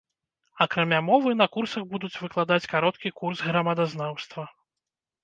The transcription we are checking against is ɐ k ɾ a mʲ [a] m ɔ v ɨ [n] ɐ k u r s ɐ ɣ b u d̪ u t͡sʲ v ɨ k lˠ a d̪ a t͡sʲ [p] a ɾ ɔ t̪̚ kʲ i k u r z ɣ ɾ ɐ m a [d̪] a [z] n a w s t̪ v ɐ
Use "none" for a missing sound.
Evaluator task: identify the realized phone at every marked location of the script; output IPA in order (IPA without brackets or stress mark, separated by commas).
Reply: a, n, k, d̪, z